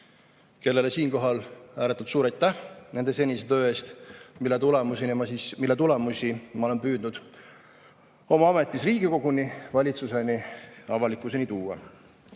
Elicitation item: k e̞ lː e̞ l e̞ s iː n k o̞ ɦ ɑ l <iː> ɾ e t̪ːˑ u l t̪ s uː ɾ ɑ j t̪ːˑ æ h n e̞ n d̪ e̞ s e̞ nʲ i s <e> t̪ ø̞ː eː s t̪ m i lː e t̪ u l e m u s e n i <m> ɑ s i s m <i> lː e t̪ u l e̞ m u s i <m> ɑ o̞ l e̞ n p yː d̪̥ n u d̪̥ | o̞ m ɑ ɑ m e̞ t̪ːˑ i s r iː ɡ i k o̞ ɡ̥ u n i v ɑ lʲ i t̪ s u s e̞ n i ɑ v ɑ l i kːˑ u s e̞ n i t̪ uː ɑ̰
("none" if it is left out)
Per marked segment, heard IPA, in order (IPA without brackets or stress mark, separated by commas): æː, e, m, i, m